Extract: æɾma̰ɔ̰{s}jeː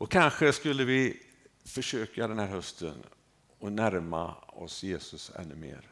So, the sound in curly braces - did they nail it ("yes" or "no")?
yes